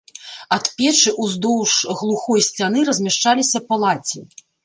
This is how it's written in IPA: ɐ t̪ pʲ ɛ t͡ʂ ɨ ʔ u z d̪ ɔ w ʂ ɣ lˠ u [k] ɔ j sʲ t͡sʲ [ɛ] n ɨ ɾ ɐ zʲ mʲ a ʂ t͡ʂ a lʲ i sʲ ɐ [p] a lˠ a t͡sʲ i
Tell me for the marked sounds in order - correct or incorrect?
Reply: incorrect: x, incorrect: a, correct

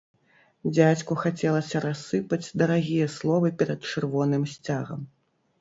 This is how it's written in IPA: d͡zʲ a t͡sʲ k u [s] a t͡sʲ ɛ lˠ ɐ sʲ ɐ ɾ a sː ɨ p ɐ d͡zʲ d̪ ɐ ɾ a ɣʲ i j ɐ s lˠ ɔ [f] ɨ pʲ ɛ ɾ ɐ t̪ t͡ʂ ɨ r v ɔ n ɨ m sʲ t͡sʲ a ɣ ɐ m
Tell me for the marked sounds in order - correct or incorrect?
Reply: incorrect: x, incorrect: v

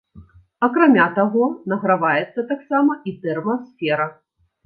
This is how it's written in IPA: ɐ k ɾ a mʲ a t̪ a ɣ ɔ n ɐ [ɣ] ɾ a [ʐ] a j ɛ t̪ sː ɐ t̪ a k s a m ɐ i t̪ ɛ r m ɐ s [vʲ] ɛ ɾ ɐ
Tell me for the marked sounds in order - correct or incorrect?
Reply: correct, incorrect: v, incorrect: fʲ

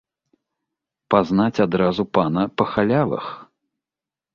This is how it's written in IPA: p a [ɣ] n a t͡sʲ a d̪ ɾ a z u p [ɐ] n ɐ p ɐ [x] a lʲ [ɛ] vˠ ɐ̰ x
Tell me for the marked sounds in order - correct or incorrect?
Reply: incorrect: z, incorrect: a, correct, incorrect: a

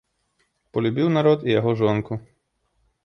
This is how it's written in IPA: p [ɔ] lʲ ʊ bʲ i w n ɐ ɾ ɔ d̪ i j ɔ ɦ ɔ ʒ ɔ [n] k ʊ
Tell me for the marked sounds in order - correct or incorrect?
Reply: correct, correct

